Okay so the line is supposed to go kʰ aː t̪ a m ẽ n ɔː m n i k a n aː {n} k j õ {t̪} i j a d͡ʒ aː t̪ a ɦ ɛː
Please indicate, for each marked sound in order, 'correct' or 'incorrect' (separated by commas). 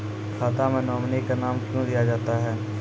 incorrect, incorrect